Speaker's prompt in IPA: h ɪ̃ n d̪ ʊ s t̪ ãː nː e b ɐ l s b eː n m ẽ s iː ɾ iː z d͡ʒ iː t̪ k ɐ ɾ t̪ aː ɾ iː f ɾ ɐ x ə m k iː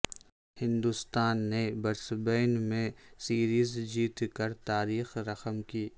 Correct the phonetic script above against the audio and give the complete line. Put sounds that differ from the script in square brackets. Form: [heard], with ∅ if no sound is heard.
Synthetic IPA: h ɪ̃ n d̪ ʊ s t̪ [aː] nː e b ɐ [ɾ] s b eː n m ẽ s iː ɾ iː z d͡ʒ iː t̪ k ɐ ɾ t̪ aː ɾ iː [x] ɾ ɐ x ə m k iː